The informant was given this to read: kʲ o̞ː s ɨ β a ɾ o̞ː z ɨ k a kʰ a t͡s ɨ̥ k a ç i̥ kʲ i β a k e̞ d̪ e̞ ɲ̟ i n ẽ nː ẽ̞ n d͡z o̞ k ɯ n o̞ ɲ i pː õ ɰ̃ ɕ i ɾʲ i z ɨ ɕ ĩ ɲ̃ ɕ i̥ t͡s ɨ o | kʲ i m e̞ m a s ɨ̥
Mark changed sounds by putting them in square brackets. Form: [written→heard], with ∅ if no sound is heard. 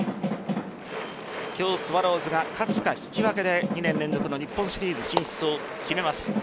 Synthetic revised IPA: kʲ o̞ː s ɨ β a ɾ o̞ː z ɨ [k→ɡ] a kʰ a t͡s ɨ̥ k a ç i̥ kʲ i β a k e̞ d̪ e̞ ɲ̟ i n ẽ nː ẽ̞ n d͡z o̞ k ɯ n o̞ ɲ i pː õ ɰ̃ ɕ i ɾʲ [i→iː] z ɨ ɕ ĩ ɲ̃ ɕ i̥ t͡s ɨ o | kʲ i m e̞ m a s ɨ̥

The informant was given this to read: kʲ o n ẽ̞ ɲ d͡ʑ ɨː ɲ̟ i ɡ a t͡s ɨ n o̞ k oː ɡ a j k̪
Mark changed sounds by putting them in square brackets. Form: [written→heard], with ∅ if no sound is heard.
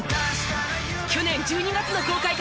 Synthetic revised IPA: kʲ o n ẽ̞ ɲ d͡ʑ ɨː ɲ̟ i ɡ a t͡s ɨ n o̞ k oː [ɡ→k] a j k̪

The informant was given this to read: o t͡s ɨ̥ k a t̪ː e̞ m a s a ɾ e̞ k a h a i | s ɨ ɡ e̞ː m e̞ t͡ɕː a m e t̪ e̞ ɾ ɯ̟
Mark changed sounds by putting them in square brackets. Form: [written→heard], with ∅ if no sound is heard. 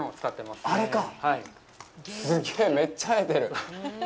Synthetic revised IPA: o t͡s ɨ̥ k a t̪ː e̞ m a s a ɾ e̞ k a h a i | s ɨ ɡ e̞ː m e̞ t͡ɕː a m e t̪ e̞ ɾ ɯ̟

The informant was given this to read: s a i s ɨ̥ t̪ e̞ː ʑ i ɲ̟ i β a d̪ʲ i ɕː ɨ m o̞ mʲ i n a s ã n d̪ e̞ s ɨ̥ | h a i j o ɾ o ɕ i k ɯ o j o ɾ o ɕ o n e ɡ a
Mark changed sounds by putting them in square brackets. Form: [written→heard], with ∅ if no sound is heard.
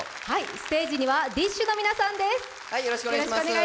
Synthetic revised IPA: [s→h] a i s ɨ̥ t̪ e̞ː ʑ i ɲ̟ i β a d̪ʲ i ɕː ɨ [m→n] o̞ mʲ i n a s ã n d̪ e̞ s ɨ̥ | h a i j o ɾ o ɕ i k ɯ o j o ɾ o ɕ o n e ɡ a

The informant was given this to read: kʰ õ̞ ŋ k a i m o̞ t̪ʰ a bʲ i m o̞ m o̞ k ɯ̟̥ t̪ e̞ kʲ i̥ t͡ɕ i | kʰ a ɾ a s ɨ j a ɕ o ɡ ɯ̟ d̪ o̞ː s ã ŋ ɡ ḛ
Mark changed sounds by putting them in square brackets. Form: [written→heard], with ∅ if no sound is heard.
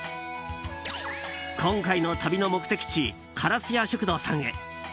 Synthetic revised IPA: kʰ õ̞ ŋ k a i [m→n] o̞ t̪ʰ a bʲ i [m→n] o̞ m o̞ k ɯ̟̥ t̪ e̞ kʲ i̥ t͡ɕ i | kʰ a ɾ a s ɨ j a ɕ o [ɡ→k] ɯ̟ d̪ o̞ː s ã ŋ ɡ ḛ

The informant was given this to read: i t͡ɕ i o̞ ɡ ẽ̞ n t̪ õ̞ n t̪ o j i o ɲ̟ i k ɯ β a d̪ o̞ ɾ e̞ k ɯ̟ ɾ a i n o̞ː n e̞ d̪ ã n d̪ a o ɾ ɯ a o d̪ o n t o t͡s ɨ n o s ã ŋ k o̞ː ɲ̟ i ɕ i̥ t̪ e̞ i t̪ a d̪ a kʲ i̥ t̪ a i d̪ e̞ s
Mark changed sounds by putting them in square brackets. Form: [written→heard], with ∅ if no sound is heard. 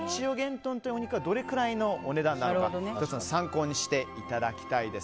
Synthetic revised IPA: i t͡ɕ i o̞ ɡ ẽ̞ n t̪ õ̞ n t̪ o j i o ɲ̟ i k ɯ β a d̪ o̞ ɾ e̞ k ɯ̟ ɾ a i n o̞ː n e̞ d̪ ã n d̪ a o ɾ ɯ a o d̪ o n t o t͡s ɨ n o s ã ŋ k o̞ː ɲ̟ i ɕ i̥ t̪ e̞ i t̪ a d̪ a kʲ i̥ t̪ a i d̪ e̞ s

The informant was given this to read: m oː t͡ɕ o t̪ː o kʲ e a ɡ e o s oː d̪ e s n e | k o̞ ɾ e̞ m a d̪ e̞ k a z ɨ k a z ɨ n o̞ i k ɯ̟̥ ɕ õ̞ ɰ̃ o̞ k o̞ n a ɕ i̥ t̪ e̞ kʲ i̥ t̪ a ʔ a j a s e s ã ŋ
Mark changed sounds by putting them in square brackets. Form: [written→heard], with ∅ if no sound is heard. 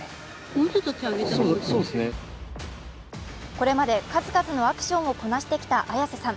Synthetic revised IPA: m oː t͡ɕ o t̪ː o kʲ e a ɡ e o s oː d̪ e s n e | k o̞ ɾ e̞ m a d̪ e̞ k a z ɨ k a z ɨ n o̞ [i→a] k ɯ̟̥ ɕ õ̞ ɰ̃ o̞ k o̞ n a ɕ i̥ t̪ e̞ kʲ i̥ t̪ a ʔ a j a s e s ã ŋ

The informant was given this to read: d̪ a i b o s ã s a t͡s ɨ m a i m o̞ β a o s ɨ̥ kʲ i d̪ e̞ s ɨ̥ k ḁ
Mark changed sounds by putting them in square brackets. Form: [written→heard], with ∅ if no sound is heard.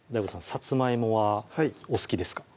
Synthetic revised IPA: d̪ a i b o s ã s a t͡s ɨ m a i m o̞ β a o s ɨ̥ kʲ i d̪ e̞ s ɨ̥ k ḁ

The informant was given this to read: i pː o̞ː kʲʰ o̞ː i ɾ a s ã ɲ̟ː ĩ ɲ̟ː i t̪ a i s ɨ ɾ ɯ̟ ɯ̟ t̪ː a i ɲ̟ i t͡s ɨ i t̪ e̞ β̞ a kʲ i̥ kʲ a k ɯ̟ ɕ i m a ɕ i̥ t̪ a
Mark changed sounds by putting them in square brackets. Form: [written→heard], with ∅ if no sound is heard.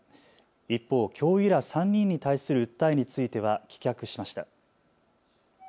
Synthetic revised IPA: i pː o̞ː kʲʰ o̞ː i ɾ a s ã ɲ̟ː ĩ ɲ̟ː i t̪ a i s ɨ ɾ ɯ̟ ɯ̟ t̪ː a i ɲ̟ i t͡s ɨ i t̪ e̞ β̞ a kʲ i̥ kʲ a k ɯ̟ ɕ i m a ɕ i̥ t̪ a

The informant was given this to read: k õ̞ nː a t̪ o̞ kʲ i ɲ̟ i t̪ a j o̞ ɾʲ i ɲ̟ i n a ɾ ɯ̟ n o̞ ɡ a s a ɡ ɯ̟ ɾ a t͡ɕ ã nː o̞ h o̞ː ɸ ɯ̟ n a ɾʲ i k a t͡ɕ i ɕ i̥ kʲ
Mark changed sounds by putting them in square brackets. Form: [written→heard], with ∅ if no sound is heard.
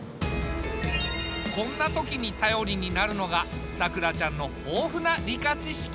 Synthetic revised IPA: k õ̞ nː a t̪ o̞ kʲ i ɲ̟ i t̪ a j o̞ ɾʲ i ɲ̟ i n a ɾ ɯ̟ n o̞ ɡ a s a [ɡ→k] ɯ̟ ɾ a t͡ɕ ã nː o̞ h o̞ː ɸ ɯ̟ n a ɾʲ i k a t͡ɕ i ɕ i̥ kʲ

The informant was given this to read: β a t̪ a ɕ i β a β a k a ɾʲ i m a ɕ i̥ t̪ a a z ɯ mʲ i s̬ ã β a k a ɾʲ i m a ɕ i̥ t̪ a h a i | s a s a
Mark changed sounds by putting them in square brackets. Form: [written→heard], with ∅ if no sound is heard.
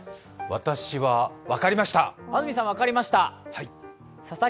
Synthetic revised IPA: β a t̪ a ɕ i β a β a k a ɾʲ i m a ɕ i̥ t̪ a a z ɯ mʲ i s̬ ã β a k a ɾʲ i m a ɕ i̥ t̪ a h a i | s a s a

